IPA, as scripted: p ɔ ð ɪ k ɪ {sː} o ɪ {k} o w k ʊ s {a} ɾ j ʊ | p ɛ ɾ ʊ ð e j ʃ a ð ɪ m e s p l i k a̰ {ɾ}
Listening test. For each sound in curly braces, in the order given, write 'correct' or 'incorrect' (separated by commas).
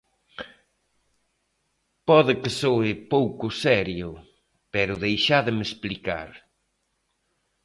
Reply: incorrect, incorrect, incorrect, correct